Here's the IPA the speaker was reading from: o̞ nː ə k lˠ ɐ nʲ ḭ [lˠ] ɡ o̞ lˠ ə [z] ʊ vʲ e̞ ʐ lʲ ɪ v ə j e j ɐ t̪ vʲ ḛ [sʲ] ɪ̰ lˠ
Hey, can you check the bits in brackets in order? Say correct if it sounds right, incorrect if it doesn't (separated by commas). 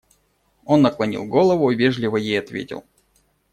correct, incorrect, incorrect